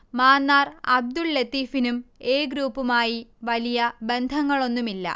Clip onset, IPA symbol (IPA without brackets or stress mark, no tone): m